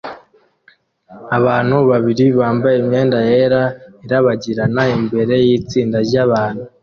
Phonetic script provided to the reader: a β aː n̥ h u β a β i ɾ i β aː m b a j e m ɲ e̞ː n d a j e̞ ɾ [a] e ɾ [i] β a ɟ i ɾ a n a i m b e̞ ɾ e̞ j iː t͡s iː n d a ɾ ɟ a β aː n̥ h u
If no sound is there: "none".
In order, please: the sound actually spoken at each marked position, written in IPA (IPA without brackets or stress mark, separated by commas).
a, a